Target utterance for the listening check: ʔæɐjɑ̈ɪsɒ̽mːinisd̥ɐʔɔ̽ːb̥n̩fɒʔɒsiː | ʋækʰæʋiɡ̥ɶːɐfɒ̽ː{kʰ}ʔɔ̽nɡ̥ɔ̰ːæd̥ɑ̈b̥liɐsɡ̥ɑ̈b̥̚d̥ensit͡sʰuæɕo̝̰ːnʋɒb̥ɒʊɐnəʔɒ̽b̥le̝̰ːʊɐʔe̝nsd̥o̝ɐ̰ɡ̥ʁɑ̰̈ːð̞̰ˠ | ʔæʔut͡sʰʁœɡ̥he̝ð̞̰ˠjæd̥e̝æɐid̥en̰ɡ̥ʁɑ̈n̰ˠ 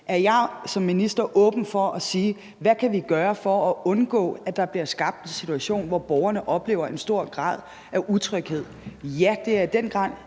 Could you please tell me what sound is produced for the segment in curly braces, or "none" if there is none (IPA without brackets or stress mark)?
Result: none